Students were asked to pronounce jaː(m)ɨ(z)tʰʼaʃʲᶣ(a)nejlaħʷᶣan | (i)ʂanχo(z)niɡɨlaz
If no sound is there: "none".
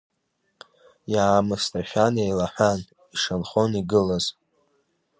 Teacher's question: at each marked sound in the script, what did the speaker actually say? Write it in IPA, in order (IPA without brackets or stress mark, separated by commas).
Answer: m, s, a, i, none